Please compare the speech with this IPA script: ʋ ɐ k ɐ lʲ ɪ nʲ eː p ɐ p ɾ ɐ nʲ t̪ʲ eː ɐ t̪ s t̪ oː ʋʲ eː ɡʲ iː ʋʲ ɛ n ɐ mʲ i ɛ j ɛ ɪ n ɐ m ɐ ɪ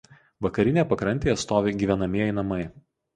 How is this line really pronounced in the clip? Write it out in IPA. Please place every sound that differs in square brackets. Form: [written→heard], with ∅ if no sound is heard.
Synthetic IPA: ʋ ɐ k ɐ [lʲ→ɾʲ] ɪ nʲ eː p ɐ [p→k] ɾ ɐ nʲ t̪ʲ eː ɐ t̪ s t̪ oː ʋʲ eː ɡʲ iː ʋʲ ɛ n ɐ mʲ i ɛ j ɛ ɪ n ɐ m ɐ ɪ